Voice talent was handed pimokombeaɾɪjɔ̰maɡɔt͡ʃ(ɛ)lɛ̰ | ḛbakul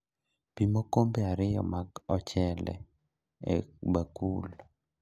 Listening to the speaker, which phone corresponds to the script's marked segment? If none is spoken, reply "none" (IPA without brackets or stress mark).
ɛ